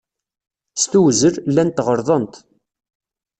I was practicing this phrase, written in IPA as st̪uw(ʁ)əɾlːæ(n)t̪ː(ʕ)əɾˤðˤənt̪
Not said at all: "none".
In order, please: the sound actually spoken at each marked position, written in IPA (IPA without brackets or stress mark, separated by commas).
z, n, ʁ